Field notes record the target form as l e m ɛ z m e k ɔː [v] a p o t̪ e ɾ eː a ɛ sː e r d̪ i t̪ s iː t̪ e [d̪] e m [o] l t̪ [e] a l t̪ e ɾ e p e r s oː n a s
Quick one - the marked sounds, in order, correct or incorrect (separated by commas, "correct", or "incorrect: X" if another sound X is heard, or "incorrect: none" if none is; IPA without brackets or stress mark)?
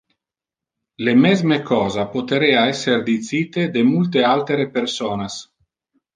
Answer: incorrect: z, correct, incorrect: u, correct